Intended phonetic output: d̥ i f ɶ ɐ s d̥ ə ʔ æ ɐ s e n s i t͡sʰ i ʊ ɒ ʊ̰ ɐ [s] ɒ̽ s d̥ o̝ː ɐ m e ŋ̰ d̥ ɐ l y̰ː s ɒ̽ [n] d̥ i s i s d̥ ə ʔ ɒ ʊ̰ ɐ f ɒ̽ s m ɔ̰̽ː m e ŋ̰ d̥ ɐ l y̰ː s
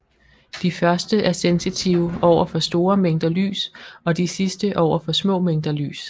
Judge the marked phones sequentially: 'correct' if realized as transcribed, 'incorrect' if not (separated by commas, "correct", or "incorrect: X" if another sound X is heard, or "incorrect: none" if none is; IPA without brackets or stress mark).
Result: incorrect: f, incorrect: none